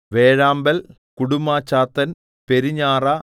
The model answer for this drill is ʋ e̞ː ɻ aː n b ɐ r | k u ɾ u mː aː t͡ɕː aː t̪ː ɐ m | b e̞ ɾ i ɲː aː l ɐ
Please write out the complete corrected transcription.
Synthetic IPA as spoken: ʋ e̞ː ɻ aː m b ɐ l | k u ɽ u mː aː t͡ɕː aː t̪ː ɐ n | p e̞ ɾ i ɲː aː r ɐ